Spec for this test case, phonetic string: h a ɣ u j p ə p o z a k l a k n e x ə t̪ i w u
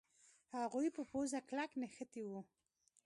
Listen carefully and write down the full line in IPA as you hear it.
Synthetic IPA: h a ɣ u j p ə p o z a k l a k n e x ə t̪ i w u